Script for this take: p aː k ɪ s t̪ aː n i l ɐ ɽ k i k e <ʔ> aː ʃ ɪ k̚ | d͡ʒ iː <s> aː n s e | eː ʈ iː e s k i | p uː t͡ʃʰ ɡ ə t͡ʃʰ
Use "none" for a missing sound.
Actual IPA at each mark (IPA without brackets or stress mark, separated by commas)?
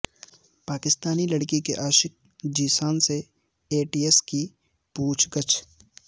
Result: ʔ, s